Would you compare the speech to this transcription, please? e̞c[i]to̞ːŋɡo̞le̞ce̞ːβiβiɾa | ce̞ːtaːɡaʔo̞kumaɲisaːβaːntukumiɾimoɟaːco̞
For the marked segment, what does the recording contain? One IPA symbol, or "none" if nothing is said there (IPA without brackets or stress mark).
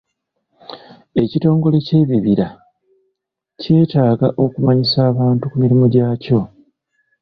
i